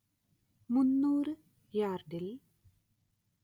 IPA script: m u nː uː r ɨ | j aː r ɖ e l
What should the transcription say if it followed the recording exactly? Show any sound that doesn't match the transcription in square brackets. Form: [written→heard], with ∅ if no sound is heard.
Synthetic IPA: m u nː uː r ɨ | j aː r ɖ [e→i] l

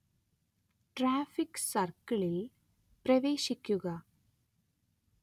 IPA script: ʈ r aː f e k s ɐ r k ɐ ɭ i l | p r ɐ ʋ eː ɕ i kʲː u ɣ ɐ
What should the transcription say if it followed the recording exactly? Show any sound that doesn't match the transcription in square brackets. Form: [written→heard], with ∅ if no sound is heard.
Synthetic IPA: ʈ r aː f [e→i] k s ɐ r k ɐ ɭ i l | p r ɐ ʋ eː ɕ i kʲː u ɣ ɐ

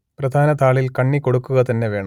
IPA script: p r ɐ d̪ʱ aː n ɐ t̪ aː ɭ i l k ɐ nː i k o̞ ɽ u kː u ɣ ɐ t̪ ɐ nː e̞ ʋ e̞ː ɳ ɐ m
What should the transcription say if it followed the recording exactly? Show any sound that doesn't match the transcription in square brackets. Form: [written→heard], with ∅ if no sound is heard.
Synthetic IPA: p r ɐ d̪ʱ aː n ɐ t̪ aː ɭ i l k ɐ [nː→ɳː] i k o̞ ɽ u kː u ɣ ɐ t̪ ɐ nː e̞ ʋ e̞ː ɳ ɐ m

